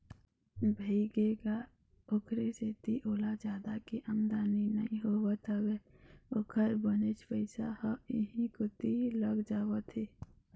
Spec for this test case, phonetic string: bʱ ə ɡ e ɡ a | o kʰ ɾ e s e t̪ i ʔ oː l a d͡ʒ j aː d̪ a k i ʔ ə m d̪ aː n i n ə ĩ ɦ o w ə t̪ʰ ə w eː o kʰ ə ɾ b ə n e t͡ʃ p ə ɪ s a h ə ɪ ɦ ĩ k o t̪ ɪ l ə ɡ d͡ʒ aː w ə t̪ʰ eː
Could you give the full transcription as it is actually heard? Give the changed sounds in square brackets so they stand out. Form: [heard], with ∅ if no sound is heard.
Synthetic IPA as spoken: bʱ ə ɡ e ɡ a | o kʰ ɾ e s e t̪ i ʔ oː l a d͡ʒ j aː d̪ a k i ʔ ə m d̪ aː n i n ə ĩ ɦ o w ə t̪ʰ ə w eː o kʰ ə ɾ b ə n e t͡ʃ p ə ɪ s a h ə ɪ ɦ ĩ k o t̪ [i] l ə ɡ d͡ʒ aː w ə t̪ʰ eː